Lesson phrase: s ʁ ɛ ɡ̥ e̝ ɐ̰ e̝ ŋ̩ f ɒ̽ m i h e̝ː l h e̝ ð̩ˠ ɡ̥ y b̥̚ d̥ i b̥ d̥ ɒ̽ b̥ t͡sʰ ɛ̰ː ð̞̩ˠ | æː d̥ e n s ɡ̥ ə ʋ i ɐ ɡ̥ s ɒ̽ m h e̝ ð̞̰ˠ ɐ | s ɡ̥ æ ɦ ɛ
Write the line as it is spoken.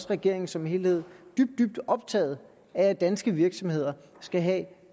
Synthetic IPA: s ʁ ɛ ɡ̥ e̝ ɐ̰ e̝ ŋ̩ s ɒ̽ m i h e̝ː l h e̝ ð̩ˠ d̥ y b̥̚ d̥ y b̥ d̥ ɒ̽ b̥ t͡sʰ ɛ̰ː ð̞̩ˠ | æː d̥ æ n s ɡ̥ ə ʋ i ɐ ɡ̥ s ɒ̽ m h e̝ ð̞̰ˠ ɐ | s ɡ̥ æ ɦ ɛ